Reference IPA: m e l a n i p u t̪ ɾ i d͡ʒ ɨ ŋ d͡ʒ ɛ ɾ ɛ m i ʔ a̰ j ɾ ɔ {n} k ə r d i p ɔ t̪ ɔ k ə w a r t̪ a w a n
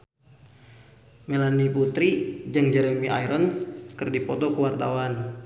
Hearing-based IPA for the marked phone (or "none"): n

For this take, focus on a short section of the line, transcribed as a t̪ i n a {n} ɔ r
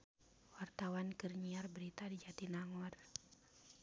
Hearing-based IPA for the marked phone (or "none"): ŋ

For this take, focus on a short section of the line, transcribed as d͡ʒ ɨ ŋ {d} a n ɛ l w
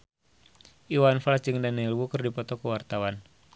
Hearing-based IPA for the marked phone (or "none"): d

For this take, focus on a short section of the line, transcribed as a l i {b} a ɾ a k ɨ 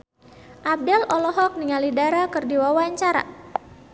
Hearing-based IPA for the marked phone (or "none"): d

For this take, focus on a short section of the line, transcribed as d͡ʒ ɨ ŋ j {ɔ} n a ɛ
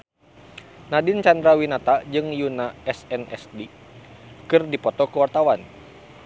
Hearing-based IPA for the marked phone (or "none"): u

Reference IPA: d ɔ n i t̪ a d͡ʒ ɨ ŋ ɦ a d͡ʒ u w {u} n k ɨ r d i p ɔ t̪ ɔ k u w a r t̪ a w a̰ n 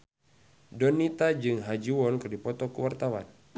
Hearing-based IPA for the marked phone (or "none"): ɔ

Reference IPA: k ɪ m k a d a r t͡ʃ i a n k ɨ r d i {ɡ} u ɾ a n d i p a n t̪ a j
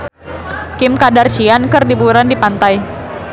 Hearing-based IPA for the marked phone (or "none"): b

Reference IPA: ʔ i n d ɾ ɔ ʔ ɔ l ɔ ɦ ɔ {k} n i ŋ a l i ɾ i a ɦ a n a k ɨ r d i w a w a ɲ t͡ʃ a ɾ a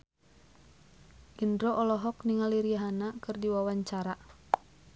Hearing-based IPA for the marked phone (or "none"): k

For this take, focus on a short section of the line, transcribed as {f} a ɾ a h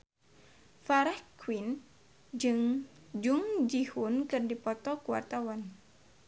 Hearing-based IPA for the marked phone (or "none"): f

